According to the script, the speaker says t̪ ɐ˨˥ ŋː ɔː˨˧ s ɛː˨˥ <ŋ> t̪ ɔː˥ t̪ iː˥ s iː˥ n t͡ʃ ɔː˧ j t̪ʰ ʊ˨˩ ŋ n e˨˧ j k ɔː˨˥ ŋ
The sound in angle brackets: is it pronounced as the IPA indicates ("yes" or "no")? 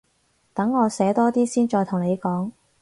no